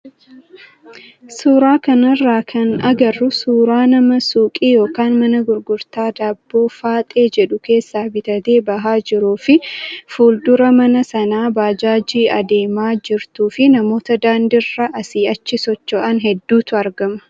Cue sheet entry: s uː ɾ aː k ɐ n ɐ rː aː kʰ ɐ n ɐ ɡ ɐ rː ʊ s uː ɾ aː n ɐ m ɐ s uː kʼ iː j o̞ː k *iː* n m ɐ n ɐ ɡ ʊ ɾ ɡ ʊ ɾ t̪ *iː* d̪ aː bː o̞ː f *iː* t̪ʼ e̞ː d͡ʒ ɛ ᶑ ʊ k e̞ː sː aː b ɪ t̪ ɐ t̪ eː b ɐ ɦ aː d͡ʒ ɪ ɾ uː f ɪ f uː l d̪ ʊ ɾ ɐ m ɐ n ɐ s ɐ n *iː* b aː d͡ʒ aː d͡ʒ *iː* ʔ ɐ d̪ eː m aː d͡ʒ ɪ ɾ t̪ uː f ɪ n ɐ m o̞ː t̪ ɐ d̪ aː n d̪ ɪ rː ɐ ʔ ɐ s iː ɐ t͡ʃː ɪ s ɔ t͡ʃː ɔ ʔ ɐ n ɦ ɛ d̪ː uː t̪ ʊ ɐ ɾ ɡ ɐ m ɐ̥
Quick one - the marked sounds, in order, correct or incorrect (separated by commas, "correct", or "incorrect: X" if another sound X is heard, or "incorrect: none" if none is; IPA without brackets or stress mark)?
incorrect: aː, incorrect: aː, incorrect: aː, incorrect: aː, correct